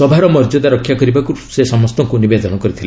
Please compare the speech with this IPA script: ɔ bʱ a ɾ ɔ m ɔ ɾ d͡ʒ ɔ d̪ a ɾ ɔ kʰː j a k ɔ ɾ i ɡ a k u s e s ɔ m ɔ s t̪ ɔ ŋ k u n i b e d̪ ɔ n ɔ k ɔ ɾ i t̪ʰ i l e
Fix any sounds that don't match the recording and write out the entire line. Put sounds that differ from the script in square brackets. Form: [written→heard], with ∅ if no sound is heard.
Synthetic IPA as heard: ɔ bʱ a ɾ ɔ m ɔ ɾ d͡ʒ ɔ d̪ a ɾ ɔ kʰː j a k ɔ ɾ i [ɡ→b] a k u s e s ɔ m ɔ s t̪ ɔ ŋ k u n i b e d̪ ɔ n ɔ k ɔ ɾ i t̪ʰ i l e